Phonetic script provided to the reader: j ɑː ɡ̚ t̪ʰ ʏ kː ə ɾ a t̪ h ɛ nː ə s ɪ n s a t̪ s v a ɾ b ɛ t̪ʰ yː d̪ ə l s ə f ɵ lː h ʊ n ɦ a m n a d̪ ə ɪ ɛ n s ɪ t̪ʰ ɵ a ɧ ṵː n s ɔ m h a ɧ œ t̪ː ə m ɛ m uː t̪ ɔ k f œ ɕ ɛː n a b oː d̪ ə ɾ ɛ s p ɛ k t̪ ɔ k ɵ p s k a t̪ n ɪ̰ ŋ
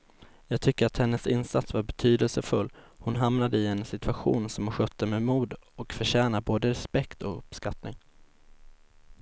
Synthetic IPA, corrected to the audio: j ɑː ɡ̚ t̪ʰ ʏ kː ə ɾ a t̪ h ɛ nː ə s ɪ n s a t̪ s v a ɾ b ɛ t̪ʰ yː d̪ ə l s ə f ɵ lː h ʊ n ɦ a m n a d̪ ə ɪ ɛ n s ɪ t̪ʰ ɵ a ɧ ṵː n s ɔ m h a ɧ œ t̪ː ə m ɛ m uː d̪ ɔ k f œ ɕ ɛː n a b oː d̪ ə ɾ ɛ s p ɛ k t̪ ɔ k ɵ p s k a t̪ n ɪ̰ ŋ